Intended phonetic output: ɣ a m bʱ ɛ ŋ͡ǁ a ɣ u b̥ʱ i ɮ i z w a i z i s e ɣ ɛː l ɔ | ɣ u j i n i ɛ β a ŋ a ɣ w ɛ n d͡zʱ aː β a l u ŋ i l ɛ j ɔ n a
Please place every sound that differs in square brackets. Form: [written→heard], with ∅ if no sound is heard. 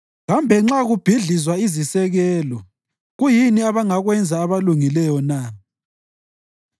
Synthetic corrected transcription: ɣ a m bʱ ɛ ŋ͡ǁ a ɣ u b̥ʱ i ɮ i z w a i z i s [e→ɛ] ɣ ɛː l ɔ | ɣ u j i n i [ɛ→a] β a ŋ a ɣ w ɛ n d͡zʱ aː β a l u ŋ i l ɛ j ɔ n a